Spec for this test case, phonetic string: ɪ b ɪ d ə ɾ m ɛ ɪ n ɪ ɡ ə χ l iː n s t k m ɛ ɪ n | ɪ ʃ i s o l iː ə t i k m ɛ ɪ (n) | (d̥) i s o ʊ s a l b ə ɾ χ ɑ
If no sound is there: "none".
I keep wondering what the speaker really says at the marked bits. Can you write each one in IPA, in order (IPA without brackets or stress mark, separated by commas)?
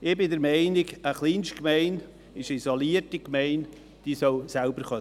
n, d̥